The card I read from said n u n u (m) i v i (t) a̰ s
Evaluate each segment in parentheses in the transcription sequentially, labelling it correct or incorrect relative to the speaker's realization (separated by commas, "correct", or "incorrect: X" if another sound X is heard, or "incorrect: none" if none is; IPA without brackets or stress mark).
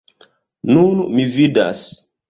correct, incorrect: d